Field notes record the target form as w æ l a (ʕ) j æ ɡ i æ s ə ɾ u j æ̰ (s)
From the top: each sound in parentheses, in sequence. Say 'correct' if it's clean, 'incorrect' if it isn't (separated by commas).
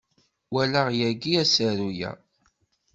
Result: incorrect, incorrect